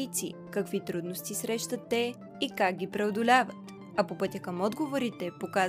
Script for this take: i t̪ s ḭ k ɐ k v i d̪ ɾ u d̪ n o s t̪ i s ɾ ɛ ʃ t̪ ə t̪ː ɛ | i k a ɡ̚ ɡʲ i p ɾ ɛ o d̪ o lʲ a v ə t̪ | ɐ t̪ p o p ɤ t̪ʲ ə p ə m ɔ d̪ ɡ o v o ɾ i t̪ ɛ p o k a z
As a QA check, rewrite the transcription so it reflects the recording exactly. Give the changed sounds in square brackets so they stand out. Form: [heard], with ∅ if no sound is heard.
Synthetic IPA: i t̪ s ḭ k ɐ k v i [t̪] ɾ u d̪ n o s t̪ i s ɾ ɛ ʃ t̪ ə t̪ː ɛ | i k a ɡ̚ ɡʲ i p ɾ ɛ o d̪ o lʲ a v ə t̪ | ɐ [∅] p o p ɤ t̪ʲ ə [k] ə m ɔ d̪ ɡ o v o ɾ i t̪ ɛ p o k a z